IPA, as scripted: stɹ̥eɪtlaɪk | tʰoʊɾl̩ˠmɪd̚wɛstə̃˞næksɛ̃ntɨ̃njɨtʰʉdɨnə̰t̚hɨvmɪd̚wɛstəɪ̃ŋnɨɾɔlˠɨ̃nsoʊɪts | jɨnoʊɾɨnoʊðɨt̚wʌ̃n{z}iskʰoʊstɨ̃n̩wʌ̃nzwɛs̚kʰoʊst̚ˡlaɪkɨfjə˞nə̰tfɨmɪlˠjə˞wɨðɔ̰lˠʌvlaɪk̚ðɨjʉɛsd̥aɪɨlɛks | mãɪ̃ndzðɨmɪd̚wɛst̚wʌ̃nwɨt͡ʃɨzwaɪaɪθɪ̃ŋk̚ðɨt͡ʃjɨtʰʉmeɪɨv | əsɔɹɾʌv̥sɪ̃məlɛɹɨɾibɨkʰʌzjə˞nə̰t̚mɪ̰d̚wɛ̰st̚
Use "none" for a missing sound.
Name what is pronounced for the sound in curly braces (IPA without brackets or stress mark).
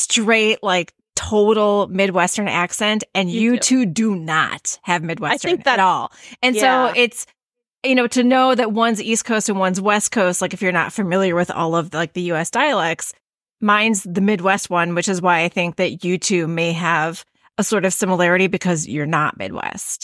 z